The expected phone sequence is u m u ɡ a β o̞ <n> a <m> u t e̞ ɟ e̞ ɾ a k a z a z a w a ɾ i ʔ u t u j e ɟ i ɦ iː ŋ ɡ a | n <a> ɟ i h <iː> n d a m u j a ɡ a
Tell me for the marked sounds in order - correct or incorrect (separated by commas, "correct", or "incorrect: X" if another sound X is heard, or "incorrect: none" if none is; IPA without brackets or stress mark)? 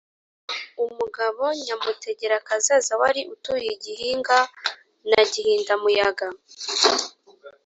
incorrect: ɲ, correct, correct, correct